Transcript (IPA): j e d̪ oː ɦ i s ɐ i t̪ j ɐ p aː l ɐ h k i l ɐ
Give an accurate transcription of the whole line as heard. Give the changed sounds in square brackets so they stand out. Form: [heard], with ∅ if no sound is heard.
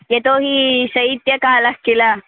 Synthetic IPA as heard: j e [t̪] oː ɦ i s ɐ i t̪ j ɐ [k] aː l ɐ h k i l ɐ